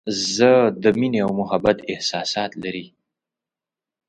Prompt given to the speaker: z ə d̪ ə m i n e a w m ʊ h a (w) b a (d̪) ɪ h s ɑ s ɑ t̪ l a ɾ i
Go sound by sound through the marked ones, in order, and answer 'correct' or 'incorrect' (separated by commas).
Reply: incorrect, incorrect